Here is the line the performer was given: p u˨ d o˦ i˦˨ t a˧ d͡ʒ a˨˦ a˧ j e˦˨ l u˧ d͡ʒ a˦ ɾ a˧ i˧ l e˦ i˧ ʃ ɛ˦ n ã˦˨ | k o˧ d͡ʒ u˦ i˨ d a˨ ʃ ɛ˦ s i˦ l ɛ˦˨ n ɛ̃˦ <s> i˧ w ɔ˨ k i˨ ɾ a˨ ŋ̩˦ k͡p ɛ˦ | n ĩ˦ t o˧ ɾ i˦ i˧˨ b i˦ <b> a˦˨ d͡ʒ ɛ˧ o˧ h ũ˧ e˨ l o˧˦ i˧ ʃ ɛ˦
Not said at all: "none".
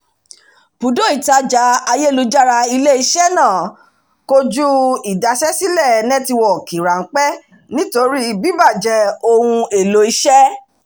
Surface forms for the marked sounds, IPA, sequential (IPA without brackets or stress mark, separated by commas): t, b